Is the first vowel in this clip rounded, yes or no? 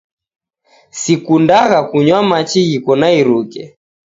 no